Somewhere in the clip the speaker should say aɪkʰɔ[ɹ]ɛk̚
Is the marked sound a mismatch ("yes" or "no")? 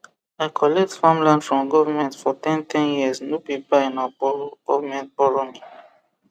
yes